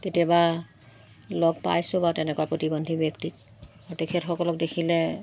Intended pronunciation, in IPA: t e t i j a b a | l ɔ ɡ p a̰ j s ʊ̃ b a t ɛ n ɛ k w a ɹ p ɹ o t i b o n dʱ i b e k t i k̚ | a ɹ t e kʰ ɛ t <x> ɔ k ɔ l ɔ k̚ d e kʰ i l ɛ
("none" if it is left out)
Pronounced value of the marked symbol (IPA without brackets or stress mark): x